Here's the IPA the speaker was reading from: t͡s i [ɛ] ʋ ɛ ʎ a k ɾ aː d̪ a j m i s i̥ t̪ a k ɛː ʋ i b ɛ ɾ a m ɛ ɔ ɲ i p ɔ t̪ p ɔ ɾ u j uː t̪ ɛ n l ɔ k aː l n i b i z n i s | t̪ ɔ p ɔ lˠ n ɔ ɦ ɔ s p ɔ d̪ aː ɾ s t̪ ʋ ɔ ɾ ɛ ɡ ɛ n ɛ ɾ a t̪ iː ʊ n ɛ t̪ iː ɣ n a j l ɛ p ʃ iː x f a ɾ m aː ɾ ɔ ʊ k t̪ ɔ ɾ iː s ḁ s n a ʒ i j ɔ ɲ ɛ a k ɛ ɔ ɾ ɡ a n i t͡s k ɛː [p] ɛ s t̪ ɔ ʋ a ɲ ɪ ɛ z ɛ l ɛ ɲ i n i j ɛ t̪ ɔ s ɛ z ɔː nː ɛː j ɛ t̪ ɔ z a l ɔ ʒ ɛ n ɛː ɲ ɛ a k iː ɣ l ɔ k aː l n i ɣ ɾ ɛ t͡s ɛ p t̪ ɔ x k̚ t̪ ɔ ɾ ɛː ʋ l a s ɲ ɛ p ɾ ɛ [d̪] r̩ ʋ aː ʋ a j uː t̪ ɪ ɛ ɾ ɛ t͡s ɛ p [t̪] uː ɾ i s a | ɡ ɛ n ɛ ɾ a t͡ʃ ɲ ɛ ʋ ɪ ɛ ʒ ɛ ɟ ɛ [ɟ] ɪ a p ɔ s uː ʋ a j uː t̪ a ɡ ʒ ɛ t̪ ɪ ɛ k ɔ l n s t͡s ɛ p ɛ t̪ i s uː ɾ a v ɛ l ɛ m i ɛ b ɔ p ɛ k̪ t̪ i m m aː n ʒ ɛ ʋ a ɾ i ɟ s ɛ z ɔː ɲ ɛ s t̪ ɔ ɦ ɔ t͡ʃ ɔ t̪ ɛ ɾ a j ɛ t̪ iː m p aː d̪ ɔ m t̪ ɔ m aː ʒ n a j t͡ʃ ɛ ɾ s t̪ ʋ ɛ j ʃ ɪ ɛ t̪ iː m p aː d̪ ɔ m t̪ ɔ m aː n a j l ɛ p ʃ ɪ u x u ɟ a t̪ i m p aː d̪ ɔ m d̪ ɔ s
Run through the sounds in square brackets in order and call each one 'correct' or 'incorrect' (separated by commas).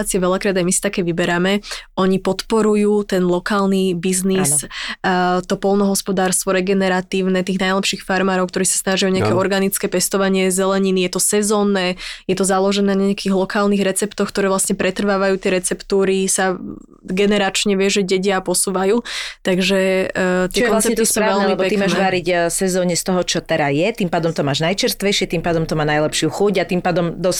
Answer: correct, correct, incorrect, correct, correct